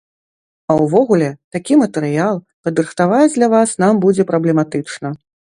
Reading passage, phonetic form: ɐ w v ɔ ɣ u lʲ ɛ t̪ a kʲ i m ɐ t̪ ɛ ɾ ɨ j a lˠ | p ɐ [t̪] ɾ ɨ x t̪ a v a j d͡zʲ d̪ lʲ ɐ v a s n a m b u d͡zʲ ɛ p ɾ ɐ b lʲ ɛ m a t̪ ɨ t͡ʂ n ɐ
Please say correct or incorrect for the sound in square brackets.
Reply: incorrect